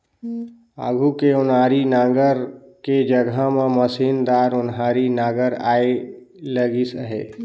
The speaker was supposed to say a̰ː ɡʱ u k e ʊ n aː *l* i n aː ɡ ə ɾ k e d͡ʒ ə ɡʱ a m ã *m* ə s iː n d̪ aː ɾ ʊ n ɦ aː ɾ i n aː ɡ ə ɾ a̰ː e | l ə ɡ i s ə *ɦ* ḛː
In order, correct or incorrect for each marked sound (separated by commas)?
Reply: incorrect, correct, correct